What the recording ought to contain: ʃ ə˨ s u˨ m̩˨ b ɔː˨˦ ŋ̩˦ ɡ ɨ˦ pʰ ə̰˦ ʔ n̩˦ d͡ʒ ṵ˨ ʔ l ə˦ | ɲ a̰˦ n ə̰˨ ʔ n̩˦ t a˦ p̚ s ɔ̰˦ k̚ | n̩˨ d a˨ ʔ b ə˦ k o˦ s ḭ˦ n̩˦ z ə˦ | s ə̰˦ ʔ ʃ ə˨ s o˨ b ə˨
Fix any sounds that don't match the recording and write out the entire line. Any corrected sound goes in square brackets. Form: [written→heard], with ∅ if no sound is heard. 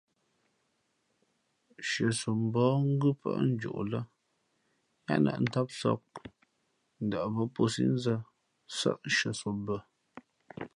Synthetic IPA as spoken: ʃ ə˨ s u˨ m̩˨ b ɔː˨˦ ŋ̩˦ ɡ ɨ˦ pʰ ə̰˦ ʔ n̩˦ d͡ʒ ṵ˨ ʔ l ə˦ | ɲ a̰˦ n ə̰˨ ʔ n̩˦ t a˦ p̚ s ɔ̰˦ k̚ | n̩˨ d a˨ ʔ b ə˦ [k→p] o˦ s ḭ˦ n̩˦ z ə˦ | s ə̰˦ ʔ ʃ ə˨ s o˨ b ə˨